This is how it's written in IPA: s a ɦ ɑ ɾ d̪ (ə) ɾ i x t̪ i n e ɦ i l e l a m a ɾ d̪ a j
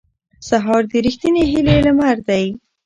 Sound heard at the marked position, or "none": ə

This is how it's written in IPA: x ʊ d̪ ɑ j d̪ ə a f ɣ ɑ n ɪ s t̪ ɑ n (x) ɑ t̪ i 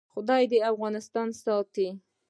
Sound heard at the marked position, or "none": s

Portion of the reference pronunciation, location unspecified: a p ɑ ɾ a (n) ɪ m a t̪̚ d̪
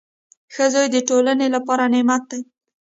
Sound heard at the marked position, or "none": n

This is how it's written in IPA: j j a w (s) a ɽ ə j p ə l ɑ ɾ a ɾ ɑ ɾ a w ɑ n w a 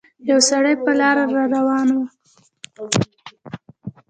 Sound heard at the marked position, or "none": s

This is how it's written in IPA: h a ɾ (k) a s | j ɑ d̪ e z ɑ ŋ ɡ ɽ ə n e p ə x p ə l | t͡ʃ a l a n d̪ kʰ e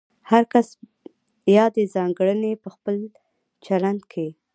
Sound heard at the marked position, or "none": k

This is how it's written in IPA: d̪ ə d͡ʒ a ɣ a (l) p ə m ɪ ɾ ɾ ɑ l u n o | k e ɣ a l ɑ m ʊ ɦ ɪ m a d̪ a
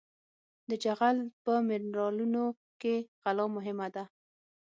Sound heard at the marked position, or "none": l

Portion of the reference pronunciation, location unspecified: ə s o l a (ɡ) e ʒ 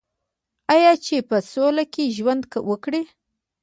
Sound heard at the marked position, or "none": k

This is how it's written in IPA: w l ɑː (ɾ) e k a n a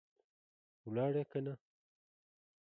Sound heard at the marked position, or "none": ɽ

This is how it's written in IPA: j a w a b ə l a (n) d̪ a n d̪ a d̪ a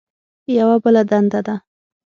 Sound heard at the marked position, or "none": none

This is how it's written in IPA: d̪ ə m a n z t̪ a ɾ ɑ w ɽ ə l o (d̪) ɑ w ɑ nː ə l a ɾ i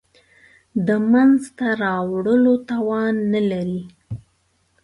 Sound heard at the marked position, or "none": t̪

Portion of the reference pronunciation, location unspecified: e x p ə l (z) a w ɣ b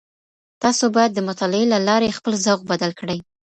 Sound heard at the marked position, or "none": z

